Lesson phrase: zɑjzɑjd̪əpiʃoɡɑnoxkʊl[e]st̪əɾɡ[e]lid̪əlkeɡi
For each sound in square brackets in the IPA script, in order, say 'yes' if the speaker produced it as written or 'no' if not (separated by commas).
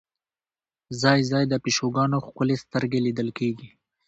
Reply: yes, yes